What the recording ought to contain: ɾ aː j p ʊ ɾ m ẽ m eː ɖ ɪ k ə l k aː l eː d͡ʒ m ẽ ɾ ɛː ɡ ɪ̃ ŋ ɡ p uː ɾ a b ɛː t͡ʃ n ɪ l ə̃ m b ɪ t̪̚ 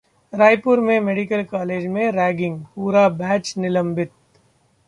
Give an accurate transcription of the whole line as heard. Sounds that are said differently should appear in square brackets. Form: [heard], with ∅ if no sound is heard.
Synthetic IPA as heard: ɾ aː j p ʊ ɾ m ẽ m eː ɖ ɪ k ə l k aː l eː d͡ʒ m ẽ ɾ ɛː ɡ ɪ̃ ŋ ɡ p uː ɾ a b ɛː t͡ʃ n ɪ l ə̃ m b ɪ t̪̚